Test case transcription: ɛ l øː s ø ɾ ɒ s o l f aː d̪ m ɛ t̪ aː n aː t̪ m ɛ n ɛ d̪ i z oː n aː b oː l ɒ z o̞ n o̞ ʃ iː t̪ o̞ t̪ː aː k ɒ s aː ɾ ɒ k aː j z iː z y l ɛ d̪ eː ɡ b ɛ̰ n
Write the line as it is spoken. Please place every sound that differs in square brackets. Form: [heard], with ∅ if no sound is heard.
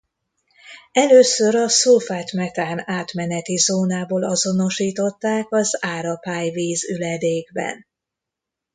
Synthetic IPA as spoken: ɛ l øː s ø ɾ ɒ s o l f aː [t̪] m ɛ t̪ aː n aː t̪ m ɛ n ɛ [t̪] i z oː n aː b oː l ɒ z o̞ n o̞ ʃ iː t̪ o̞ t̪ː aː k ɒ [z] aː ɾ ɒ [p] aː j [v] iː z y l ɛ d̪ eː ɡ b ɛ̰ n